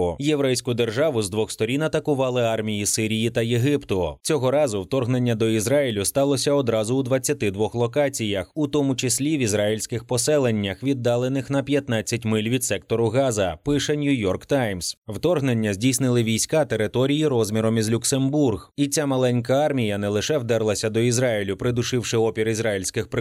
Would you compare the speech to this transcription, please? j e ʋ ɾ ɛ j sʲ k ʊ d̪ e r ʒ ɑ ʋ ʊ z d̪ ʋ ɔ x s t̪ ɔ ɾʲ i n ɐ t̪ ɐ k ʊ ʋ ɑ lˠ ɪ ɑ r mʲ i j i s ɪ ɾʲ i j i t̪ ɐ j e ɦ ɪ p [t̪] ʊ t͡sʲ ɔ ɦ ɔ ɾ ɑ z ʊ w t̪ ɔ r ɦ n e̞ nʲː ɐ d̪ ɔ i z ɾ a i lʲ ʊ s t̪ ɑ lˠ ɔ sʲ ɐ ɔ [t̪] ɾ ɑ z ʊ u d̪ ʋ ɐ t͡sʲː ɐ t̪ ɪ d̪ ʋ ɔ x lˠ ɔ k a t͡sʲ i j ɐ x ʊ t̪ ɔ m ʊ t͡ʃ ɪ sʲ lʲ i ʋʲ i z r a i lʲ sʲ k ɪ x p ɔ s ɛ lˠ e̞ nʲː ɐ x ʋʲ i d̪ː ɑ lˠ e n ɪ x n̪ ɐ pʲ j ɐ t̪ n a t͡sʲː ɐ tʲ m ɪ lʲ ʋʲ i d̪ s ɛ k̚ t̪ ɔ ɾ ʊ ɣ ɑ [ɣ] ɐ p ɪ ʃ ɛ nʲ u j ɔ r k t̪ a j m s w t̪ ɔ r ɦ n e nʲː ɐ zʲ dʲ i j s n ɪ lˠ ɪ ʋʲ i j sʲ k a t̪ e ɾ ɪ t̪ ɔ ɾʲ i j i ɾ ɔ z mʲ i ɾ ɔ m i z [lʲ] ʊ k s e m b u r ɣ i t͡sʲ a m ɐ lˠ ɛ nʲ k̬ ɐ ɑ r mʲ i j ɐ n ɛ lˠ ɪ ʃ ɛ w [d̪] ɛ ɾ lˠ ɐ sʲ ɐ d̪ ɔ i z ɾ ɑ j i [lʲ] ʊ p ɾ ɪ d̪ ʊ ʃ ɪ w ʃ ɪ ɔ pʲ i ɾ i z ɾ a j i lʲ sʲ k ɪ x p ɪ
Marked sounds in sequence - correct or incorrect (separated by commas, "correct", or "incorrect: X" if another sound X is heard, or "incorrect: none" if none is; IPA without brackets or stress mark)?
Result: correct, incorrect: d̪, incorrect: z, correct, correct, correct